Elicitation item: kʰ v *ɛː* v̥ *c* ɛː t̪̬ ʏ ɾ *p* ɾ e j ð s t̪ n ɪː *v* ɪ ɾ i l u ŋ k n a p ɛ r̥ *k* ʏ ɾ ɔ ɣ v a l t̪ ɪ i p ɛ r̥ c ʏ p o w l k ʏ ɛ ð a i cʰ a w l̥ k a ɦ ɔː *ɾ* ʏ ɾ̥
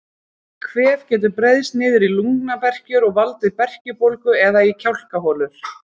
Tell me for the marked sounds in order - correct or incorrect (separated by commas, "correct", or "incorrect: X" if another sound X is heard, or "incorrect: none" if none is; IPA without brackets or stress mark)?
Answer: correct, correct, correct, incorrect: ð, incorrect: c, incorrect: l